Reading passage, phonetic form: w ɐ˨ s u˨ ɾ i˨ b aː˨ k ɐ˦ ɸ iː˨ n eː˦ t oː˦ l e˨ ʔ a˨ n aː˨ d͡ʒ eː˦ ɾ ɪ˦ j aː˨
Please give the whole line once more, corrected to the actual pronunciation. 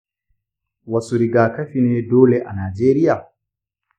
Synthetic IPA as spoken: w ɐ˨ s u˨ ɾ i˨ ɡ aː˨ k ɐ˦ ɸ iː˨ n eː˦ d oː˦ l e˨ ʔ a˨ n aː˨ d͡ʒ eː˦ ɾ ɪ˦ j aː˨

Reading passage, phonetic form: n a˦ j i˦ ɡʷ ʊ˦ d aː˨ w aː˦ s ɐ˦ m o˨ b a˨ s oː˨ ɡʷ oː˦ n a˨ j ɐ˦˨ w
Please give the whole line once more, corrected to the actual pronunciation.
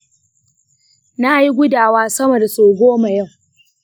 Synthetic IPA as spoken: n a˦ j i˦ ɡʷ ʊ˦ d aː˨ w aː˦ s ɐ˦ m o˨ d a˨ s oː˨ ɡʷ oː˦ m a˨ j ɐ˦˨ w

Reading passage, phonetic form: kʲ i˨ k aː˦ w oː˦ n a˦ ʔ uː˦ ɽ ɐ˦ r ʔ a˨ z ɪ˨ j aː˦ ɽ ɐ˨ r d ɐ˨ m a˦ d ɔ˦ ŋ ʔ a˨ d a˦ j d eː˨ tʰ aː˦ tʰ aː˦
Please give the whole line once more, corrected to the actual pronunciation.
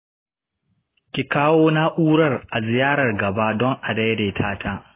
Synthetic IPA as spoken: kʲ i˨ k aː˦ w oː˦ n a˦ ʔ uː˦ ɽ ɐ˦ r ʔ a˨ z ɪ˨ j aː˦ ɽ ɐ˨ r ɡ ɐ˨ b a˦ d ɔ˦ ŋ ʔ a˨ d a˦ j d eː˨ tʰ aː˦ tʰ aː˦

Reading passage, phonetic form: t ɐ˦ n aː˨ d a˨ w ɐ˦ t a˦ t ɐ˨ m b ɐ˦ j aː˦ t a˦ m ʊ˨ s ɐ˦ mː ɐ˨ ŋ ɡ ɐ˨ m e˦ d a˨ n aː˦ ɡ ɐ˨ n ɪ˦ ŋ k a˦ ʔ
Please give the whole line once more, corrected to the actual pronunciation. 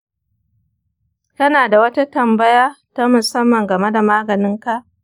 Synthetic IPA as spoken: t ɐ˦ n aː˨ d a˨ w ɐ˦ t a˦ t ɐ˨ m b ɐ˦ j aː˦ t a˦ m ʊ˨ s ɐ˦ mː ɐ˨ ŋ ɡ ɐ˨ m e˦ d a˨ m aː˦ ɡ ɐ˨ n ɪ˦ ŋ k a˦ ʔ

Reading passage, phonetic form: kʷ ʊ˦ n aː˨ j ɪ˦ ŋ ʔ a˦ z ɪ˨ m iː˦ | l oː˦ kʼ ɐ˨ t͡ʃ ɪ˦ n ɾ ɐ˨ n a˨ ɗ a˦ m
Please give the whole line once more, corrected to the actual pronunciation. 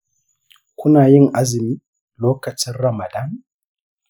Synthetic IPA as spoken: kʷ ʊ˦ n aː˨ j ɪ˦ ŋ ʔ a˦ z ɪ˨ m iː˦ | l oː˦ k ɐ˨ t͡ʃ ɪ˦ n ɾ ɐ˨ m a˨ d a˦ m

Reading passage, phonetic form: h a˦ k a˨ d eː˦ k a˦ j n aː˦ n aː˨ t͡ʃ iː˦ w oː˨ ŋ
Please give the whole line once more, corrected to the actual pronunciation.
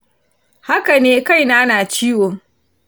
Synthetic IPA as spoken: h a˦ k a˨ n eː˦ k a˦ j n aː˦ n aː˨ t͡ʃ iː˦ w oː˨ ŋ

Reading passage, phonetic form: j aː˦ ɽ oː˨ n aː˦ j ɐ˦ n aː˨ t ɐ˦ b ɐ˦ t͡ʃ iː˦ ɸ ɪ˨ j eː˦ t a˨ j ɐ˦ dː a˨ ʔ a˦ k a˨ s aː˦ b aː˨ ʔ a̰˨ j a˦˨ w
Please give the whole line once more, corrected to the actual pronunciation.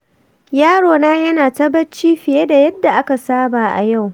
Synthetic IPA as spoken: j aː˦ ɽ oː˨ n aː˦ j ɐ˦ n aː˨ t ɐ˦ b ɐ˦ t͡ʃ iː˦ ɸ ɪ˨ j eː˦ d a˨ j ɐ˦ dː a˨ ʔ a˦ k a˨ s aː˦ b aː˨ ʔ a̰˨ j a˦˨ w

